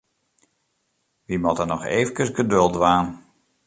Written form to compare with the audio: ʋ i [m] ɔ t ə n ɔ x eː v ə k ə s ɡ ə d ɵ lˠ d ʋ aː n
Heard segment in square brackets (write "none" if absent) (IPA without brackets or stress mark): m